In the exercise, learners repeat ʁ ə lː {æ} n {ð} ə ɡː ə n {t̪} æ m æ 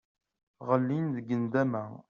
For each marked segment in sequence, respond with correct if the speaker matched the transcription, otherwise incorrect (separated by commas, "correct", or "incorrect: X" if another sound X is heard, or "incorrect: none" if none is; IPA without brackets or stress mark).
incorrect: i, correct, incorrect: d̪